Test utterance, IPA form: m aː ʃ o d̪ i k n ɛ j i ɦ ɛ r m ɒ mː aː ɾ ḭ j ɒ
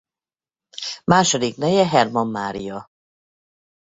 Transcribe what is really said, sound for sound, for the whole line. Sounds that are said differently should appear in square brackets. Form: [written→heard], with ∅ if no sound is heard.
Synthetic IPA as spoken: m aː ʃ o d̪ i k n ɛ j [i→ɛ] ɦ ɛ r m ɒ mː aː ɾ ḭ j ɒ